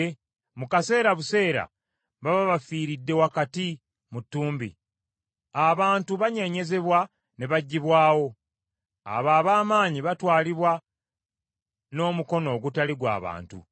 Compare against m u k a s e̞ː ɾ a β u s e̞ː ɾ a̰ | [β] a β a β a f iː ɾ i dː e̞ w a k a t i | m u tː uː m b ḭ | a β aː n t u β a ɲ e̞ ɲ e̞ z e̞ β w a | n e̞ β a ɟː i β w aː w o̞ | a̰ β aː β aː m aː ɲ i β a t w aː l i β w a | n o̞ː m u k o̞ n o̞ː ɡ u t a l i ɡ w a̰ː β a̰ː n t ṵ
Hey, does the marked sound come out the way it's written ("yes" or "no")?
yes